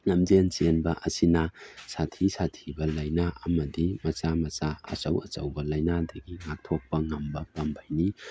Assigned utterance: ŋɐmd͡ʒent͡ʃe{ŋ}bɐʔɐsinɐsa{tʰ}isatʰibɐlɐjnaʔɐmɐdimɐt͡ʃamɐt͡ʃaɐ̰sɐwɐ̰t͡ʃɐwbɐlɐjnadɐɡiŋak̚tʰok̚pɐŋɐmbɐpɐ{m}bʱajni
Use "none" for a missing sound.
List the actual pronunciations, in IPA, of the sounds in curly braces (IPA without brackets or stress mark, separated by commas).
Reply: n, tʰ, m